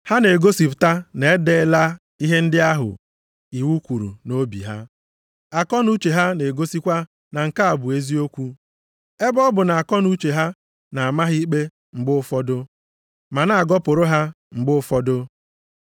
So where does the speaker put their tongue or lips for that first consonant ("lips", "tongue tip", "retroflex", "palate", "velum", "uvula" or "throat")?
throat